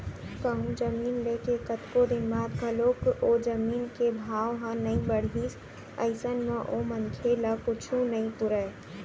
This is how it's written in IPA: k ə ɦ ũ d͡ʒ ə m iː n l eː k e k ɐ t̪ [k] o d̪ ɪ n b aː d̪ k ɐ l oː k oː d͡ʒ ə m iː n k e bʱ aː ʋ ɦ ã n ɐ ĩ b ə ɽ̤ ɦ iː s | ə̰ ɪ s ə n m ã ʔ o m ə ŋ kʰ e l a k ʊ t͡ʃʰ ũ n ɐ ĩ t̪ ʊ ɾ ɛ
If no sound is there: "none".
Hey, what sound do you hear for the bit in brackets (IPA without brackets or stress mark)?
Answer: k